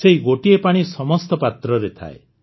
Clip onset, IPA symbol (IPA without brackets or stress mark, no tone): s